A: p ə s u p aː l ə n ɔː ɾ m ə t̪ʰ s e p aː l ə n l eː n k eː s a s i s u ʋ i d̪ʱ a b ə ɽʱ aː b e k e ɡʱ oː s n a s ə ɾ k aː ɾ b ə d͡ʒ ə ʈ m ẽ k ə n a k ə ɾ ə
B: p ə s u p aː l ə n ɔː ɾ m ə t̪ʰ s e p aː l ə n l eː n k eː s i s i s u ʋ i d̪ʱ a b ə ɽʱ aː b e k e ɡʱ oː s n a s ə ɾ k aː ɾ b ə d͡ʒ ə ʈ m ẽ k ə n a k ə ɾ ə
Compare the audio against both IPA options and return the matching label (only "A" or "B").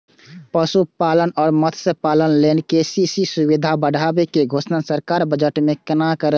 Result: B